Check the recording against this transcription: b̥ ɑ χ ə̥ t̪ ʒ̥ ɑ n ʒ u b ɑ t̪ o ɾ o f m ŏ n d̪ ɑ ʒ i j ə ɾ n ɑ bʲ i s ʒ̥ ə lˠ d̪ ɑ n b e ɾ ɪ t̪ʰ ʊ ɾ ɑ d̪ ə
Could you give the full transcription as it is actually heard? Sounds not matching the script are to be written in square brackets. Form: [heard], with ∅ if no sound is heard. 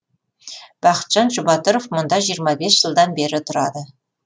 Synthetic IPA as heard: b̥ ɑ χ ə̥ t̪ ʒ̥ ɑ n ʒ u b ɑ t̪ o ɾ o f m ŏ n d̪ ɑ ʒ i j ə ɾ [m] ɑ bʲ [e] s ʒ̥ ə lˠ d̪ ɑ n b e ɾ ɪ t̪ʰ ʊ ɾ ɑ d̪ ə